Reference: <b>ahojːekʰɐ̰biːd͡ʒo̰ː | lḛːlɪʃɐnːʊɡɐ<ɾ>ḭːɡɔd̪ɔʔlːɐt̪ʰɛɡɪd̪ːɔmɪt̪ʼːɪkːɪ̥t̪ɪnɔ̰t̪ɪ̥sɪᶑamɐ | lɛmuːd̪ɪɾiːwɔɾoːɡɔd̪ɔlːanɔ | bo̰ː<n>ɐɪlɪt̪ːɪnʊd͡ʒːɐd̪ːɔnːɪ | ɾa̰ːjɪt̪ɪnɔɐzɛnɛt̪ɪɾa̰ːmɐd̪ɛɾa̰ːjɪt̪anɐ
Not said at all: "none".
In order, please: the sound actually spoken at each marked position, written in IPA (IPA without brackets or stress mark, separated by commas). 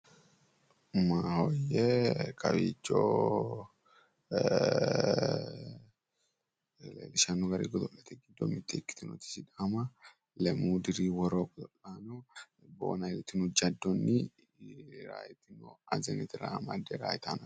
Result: m, ɾ, n